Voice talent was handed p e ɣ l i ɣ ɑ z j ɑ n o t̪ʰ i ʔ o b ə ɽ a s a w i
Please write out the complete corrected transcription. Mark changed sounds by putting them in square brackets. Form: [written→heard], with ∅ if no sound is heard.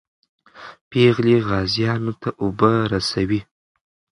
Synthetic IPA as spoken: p e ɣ l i ɣ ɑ z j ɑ n o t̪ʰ [i→a] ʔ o b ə [ɽ→ɾ] a s a w i